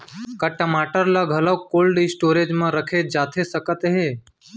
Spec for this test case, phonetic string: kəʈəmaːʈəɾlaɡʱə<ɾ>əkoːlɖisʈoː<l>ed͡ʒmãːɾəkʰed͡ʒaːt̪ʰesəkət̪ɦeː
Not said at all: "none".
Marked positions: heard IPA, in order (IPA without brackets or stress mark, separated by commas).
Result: l, ɾ